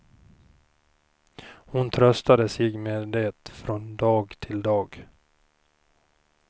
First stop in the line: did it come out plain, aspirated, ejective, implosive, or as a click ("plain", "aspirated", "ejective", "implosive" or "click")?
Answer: aspirated